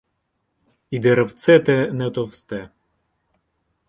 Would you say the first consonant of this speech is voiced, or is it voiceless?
voiced